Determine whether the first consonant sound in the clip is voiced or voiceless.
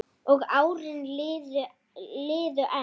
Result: voiced